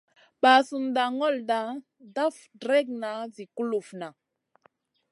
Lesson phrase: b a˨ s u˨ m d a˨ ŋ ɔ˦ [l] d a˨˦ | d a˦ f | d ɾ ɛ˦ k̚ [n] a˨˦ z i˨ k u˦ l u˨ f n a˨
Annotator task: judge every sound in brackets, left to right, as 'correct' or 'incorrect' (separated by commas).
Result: correct, correct